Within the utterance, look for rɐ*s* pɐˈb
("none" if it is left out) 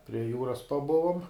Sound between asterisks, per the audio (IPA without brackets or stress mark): s